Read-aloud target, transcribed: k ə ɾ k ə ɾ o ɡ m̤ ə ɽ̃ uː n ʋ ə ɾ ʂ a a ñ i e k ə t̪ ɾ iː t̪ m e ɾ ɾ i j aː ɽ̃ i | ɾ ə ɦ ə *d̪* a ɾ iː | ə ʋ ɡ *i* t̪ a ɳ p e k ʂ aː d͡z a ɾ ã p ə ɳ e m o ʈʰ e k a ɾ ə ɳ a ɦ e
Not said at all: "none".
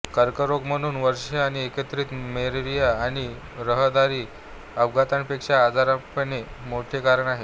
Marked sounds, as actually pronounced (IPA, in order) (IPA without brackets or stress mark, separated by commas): d̪, a